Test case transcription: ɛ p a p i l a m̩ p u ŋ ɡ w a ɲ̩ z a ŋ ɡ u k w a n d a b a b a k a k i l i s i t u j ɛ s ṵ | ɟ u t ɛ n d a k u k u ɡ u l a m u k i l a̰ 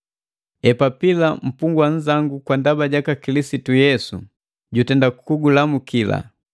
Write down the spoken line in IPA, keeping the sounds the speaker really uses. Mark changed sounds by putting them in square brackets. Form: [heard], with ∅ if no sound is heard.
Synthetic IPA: ɛ p a p i l a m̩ p u ŋ ɡ w a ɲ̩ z a ŋ ɡ u k w a n d a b a [ɟ] a k a k i l i s i t u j ɛ s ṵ | ɟ u t ɛ n d a k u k u ɡ u l a m u k i l a̰